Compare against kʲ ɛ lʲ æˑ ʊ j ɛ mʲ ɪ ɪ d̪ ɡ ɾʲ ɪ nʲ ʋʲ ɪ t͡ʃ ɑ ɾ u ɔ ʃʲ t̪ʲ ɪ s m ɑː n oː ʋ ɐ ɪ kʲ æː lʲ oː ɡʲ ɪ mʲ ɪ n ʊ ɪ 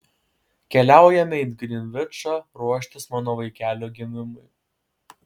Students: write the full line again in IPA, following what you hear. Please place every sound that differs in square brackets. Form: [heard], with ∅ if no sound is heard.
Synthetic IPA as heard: kʲ ɛ lʲ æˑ ʊ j ɛ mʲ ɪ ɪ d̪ ɡ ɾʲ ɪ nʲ ʋʲ ɪ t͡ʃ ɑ ɾ u ɔ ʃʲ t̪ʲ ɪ s m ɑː n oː ʋ ɐ ɪ kʲ æː lʲ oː ɡʲ ɪ mʲ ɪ [m] ʊ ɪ